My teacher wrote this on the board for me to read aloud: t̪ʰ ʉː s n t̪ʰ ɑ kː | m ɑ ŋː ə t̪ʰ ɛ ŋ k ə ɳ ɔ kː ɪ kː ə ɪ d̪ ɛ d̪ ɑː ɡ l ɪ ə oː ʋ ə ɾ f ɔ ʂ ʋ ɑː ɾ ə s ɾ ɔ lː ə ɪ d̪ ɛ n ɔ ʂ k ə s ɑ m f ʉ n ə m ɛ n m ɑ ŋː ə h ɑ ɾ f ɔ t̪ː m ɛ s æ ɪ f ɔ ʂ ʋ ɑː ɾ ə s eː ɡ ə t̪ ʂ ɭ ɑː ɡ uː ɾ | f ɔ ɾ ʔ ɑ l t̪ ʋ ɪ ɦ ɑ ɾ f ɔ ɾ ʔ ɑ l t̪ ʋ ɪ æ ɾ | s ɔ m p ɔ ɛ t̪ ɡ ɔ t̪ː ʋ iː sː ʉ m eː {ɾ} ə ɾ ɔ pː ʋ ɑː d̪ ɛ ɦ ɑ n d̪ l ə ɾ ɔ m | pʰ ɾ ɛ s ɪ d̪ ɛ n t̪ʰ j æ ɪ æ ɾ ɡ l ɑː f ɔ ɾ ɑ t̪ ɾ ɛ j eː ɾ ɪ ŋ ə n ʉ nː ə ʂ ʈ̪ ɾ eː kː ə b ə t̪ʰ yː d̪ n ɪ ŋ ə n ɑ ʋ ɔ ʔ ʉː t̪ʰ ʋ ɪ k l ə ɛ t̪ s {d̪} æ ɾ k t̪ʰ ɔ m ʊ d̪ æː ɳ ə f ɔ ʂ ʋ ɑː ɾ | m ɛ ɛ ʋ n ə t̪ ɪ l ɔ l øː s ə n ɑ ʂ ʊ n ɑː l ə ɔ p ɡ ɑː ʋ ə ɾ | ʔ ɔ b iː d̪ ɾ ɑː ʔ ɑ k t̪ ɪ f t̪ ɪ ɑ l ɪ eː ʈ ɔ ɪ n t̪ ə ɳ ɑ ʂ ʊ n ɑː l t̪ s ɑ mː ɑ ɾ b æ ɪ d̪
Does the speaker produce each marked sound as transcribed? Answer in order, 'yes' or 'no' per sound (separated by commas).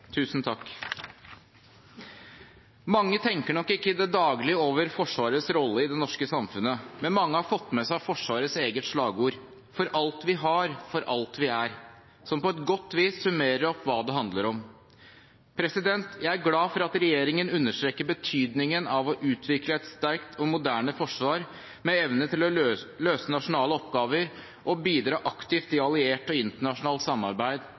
yes, no